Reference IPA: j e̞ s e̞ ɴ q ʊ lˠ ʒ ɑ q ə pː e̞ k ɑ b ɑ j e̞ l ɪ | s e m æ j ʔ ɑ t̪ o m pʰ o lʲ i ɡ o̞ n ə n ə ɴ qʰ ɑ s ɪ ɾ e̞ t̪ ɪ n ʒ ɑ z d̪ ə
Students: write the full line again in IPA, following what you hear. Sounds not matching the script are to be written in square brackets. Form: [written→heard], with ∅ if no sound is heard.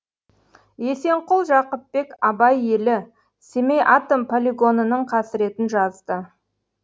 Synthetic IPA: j e̞ s e̞ ɴ q ʊ lˠ ʒ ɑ q ə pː e̞ k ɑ b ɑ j e̞ l ɪ | s e m [æ→e] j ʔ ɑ t̪ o m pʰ o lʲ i ɡ o̞ n ə n ə ɴ qʰ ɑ s ɪ ɾ e̞ t̪ ɪ n ʒ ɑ z d̪ ə